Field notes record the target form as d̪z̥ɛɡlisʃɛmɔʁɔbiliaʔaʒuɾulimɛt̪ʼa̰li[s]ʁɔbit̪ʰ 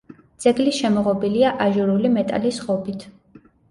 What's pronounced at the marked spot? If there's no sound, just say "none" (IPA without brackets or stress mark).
s